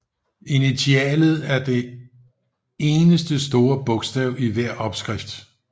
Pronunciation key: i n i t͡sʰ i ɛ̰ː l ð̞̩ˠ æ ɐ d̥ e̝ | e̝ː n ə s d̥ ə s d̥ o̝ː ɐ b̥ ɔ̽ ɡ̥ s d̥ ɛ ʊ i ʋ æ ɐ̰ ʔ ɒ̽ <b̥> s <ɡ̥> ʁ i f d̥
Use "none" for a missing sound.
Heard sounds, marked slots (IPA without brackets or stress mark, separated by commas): b̥, ɡ̥